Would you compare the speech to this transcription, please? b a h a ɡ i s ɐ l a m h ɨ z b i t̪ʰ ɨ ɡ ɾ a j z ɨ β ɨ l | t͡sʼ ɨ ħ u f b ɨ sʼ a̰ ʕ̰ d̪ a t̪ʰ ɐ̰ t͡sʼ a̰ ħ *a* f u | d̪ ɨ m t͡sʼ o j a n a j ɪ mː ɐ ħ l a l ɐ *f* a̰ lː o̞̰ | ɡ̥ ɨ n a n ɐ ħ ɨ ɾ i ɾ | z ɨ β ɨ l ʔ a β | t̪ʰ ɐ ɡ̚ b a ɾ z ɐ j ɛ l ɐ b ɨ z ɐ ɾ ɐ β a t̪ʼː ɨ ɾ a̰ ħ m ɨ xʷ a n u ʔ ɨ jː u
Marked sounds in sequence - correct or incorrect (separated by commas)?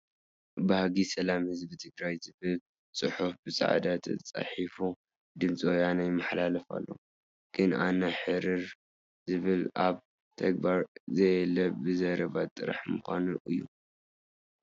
incorrect, correct